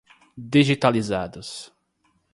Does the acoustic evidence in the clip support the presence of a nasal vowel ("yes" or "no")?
no